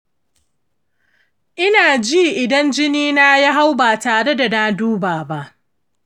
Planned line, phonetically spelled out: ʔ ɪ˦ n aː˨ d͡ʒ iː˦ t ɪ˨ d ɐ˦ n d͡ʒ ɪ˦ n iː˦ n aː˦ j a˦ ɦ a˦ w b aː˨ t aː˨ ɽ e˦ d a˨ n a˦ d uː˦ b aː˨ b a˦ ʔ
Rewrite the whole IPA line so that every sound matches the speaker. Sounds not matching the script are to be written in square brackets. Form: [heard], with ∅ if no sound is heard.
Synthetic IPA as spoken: ʔ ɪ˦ n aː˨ d͡ʒ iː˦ [ʔ] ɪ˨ d ɐ˦ n d͡ʒ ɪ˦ n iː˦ n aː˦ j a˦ ɦ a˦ w b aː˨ t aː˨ ɽ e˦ d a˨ n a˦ d uː˦ b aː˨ b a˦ ʔ